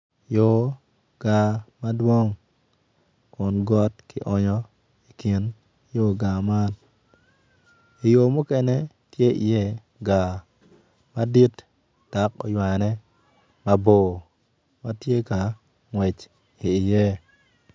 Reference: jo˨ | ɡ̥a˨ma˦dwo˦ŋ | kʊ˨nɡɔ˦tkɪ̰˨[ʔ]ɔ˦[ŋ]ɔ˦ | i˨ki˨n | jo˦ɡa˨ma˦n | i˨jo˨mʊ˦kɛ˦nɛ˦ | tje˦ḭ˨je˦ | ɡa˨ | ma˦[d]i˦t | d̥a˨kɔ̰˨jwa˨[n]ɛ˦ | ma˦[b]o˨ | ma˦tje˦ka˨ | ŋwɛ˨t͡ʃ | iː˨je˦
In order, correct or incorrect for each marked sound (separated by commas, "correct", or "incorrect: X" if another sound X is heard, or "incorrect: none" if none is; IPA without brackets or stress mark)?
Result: correct, incorrect: ɲ, correct, correct, correct